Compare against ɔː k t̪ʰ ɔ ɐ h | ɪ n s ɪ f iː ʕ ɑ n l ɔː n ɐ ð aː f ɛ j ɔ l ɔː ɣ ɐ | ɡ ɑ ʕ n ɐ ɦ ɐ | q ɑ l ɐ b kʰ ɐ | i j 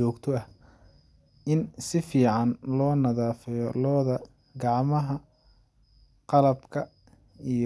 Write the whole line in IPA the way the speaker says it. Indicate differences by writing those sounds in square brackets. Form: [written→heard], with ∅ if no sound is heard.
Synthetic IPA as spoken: ɔː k t̪ʰ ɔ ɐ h | ɪ n s ɪ f iː ʕ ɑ n l ɔː n ɐ ð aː f ɛ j ɔ l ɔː [ɣ→ð] ɐ | ɡ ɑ ʕ [n→m] ɐ ɦ ɐ | q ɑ l ɐ b kʰ ɐ | i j